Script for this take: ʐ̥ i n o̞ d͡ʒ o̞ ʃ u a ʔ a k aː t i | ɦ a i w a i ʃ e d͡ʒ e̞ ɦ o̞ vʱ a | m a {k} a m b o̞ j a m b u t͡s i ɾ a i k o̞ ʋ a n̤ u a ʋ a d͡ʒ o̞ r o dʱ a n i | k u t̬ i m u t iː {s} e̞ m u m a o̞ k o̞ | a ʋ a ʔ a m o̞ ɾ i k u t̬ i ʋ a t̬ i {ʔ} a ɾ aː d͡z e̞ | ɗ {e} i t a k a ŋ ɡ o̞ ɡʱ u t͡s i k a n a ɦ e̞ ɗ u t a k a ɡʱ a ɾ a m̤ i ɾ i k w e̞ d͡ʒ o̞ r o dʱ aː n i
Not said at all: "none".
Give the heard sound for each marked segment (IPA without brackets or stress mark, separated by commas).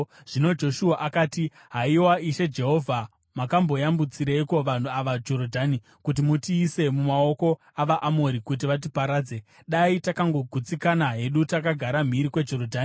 k, s, p, a